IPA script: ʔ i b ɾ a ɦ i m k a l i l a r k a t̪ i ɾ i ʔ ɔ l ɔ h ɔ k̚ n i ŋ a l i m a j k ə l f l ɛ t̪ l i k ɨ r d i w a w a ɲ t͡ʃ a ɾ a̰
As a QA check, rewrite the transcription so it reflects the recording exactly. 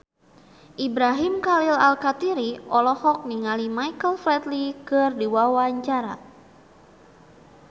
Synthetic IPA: ʔ i b ɾ a ɦ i m k a l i l a l k a t̪ i ɾ i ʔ ɔ l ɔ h ɔ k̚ n i ŋ a l i m a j k ə l f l ɛ t̪ l i k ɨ r d i w a w a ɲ t͡ʃ a ɾ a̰